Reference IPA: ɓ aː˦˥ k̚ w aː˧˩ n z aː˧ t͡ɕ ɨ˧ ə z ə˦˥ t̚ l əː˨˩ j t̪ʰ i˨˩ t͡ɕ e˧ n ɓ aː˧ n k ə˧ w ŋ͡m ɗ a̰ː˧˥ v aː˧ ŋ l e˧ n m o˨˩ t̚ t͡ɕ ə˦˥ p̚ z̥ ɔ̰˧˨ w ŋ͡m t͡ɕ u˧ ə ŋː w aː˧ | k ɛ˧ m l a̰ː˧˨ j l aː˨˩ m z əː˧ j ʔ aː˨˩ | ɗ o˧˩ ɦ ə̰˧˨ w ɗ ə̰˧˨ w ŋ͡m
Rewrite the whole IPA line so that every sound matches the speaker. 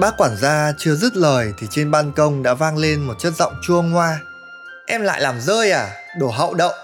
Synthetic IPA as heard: ɓ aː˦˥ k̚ w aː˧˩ n z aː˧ t͡ɕ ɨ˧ ə z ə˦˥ t̚ l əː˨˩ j t̪ʰ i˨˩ t͡ɕ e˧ n ɓ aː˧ n k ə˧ w ŋ͡m ɗ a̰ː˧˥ v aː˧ ŋ l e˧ n m o˨˩ t̚ t͡ɕ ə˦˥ t̚ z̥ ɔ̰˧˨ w ŋ͡m t͡ɕ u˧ ə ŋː w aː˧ | ʔ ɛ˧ m l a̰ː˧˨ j l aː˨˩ m z əː˧ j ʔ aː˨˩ | ɗ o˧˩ ɦ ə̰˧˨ w ɗ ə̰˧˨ w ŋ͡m